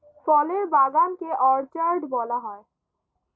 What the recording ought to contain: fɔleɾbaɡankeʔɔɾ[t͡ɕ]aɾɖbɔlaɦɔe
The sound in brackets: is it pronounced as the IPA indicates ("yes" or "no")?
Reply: yes